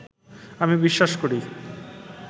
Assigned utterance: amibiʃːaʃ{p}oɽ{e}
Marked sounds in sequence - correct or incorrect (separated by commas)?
incorrect, incorrect